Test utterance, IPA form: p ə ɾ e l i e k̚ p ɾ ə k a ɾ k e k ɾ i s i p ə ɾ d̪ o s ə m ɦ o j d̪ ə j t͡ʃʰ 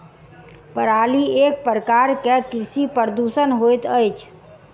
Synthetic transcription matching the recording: p ə ɾ a l i e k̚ p ɾ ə k a ɾ k e k ɾ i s i p ə ɾ d̪ u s ə n ɦ o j t̪ ə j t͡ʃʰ